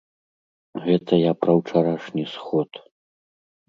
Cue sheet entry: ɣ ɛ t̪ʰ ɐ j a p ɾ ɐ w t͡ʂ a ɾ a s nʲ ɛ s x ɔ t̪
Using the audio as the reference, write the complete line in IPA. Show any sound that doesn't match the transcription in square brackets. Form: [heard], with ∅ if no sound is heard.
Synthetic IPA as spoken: ɣ ɛ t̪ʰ ɐ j a p ɾ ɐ w t͡ʂ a ɾ a [ʂ] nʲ [i] s x ɔ t̪